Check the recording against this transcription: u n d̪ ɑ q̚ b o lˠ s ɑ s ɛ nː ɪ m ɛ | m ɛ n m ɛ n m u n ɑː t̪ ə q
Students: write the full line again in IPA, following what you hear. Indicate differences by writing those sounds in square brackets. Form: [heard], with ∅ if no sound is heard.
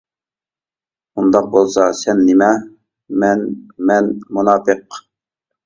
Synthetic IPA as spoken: u n d̪ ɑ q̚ b o lˠ s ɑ s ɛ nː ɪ m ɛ | m ɛ n m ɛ n m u n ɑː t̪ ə q